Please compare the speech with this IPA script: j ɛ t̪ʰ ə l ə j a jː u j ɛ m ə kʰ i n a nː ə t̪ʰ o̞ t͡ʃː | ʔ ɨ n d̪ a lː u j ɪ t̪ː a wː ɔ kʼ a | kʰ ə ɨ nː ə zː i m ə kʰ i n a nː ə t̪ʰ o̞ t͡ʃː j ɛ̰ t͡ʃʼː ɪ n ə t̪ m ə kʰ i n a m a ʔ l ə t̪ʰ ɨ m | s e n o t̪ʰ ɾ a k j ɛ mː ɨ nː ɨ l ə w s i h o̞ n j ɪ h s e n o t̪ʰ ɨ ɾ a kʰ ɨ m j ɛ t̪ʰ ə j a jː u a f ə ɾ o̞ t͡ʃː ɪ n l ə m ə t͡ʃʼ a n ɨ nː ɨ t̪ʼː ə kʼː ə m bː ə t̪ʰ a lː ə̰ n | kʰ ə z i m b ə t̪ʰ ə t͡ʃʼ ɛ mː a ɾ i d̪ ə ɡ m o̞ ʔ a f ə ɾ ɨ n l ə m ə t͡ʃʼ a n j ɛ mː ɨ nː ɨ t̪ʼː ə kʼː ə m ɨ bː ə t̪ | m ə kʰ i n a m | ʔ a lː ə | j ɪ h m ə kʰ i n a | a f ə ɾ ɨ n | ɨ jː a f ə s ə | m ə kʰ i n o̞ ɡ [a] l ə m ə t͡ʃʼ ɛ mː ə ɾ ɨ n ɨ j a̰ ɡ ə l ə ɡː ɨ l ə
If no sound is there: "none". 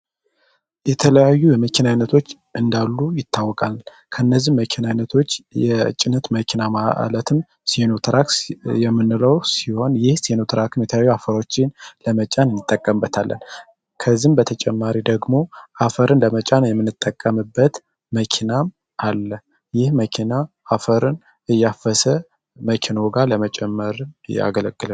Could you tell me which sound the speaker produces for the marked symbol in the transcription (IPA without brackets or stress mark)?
a